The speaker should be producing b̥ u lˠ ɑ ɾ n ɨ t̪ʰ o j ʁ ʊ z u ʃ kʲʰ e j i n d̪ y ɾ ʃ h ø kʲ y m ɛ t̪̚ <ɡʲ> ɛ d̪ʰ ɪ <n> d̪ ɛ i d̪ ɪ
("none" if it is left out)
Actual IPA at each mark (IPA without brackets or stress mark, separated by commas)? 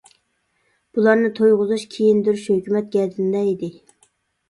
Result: ɡʲ, n